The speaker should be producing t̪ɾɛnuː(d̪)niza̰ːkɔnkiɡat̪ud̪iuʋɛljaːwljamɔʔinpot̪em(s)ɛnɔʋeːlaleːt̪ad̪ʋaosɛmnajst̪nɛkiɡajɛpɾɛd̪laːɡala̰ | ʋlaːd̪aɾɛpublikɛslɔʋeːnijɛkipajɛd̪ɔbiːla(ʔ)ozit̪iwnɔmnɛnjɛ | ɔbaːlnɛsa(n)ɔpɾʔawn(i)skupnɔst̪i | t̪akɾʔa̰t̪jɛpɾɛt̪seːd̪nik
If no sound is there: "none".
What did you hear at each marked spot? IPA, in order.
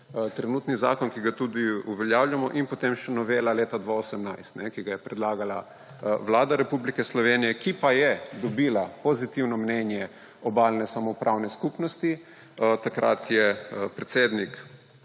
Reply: t̪, ʃ, p, m, ɛ

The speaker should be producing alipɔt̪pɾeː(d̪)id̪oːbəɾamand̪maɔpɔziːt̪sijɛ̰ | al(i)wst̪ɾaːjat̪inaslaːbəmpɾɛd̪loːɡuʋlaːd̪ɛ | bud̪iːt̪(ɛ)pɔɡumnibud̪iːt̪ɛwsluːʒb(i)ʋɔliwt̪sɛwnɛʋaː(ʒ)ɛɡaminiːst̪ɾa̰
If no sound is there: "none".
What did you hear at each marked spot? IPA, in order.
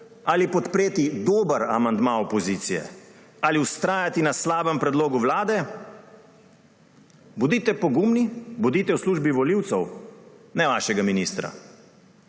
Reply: t̪, i, ɛ, i, ʃ

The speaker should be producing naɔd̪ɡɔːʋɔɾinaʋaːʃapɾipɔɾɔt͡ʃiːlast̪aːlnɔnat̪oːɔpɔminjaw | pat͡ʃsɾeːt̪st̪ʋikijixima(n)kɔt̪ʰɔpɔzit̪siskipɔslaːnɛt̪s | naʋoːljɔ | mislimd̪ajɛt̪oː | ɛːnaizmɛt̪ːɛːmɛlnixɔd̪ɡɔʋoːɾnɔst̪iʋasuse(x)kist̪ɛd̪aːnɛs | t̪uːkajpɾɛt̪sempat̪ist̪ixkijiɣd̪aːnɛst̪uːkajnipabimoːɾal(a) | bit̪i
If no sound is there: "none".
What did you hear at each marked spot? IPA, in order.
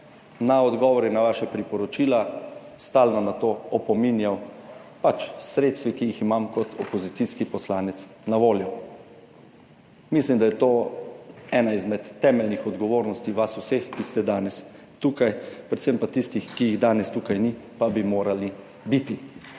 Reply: m, x, i

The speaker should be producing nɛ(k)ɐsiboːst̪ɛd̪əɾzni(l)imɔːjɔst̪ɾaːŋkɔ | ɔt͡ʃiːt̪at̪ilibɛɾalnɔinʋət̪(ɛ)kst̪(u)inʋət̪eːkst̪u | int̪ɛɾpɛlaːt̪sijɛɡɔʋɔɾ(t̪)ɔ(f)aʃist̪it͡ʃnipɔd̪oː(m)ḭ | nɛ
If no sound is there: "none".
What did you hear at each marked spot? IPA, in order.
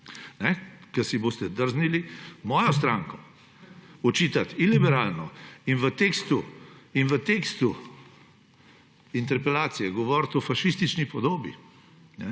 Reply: k, l, e, u, t̪, f, b

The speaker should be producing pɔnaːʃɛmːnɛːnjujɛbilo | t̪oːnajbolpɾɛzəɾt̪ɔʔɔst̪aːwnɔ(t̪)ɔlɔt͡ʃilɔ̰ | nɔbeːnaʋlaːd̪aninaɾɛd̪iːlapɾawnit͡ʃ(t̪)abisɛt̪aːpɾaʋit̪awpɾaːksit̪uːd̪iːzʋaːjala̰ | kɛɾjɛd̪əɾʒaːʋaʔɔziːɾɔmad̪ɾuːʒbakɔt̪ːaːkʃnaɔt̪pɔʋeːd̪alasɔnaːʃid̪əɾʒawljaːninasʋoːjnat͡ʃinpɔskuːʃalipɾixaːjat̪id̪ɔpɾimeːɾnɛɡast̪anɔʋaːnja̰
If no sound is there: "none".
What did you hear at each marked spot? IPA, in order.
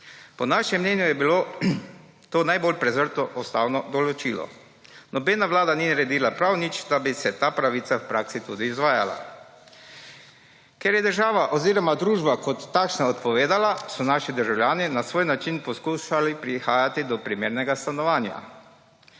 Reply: d̪, d̪

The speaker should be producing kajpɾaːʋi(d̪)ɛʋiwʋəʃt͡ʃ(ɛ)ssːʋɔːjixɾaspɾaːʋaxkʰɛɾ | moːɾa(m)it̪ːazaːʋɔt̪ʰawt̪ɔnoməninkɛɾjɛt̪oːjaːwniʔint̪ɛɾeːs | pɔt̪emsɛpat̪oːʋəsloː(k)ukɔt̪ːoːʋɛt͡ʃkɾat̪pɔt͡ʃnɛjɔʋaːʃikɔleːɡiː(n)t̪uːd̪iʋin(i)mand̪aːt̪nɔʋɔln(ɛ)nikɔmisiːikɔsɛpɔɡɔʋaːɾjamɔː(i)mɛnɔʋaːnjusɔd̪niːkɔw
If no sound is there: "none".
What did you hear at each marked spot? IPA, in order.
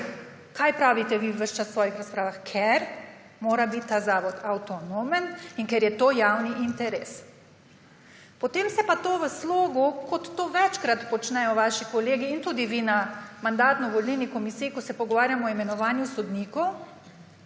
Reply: t̪, a, b, ɡ, n, a, i, i

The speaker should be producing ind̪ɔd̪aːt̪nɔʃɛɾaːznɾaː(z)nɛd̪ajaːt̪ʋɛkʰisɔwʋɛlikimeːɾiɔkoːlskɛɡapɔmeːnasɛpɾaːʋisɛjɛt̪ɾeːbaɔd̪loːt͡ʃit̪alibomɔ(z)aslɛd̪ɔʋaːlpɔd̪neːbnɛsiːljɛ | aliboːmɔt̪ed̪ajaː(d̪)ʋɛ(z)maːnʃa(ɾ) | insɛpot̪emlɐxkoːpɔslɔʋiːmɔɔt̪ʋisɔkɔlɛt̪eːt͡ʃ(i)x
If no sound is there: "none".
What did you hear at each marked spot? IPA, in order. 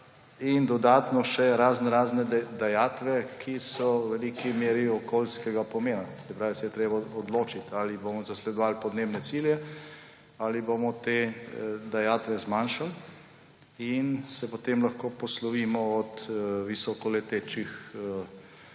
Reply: z, z, t̪, z, l, i

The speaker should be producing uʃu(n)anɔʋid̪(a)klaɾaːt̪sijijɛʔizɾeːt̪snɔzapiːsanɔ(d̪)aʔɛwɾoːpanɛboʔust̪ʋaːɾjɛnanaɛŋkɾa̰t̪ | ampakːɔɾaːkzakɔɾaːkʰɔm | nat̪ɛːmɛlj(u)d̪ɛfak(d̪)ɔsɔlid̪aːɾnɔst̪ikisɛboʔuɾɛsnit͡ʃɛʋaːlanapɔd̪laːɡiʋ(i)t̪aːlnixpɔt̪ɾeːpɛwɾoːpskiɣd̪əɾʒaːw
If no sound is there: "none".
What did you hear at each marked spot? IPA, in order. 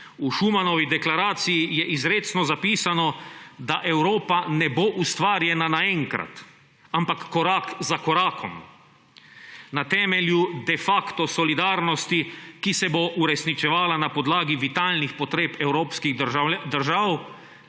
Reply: m, ɛ, d̪, u, t̪, i

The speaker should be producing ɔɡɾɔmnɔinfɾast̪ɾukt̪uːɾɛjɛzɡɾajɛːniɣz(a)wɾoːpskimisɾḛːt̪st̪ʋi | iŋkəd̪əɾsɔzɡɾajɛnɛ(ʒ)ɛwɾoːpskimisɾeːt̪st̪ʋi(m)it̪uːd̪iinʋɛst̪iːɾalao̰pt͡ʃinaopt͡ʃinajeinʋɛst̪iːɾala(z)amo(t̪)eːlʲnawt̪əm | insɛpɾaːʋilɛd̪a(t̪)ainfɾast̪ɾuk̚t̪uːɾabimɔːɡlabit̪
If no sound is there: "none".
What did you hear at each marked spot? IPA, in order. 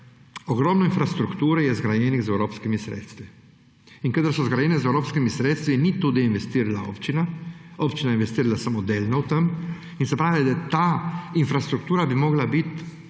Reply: ɛ, z, n, s, d̪, t̪

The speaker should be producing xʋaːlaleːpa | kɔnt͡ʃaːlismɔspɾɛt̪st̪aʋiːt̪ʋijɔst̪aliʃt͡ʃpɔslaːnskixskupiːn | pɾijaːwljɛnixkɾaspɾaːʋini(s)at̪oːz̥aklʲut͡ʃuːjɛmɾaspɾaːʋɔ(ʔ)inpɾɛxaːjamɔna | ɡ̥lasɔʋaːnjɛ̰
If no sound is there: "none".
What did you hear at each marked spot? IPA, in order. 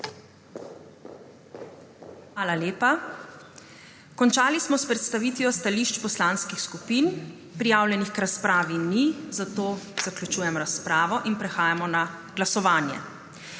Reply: z, ʔ

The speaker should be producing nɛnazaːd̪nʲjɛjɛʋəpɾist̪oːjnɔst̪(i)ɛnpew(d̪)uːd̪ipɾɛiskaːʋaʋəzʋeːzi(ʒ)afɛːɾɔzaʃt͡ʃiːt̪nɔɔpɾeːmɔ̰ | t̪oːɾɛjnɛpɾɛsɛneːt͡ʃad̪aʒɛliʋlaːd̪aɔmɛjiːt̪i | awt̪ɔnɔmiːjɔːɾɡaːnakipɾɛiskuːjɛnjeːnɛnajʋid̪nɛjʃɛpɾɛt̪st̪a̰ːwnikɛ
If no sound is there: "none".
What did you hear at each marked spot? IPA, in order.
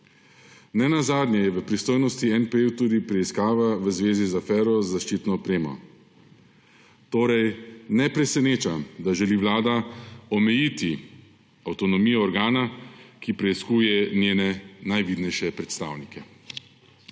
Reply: i, t̪, z

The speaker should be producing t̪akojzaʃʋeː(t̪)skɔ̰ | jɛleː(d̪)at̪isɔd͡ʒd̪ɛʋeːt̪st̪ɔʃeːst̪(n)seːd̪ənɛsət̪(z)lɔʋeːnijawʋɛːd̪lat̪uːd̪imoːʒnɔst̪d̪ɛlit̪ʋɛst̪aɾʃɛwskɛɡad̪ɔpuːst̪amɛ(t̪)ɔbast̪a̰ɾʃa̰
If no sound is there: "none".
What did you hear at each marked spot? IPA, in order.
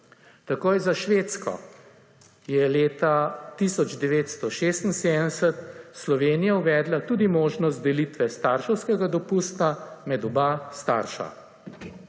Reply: t̪, t̪, n, s, d̪

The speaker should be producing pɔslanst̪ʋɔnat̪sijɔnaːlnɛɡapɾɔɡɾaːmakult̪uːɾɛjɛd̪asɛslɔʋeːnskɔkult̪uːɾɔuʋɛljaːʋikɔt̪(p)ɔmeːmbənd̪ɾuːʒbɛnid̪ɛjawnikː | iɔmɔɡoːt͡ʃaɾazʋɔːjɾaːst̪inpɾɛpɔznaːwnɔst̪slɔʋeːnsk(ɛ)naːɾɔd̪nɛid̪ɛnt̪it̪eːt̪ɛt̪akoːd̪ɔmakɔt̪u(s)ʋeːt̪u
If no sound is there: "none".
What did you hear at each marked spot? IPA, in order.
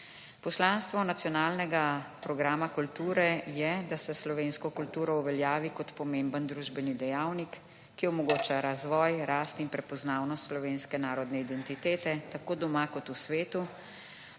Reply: p, ɛ, s

